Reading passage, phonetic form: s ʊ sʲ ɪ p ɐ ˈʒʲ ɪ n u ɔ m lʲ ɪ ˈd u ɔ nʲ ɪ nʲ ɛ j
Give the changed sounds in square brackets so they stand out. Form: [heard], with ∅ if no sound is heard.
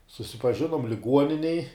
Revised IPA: s ʊ sʲ ɪ p ɐ ˈʒʲ ɪ n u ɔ m lʲ ɪ [ˈɡ] u ɔ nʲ ɪ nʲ ɛ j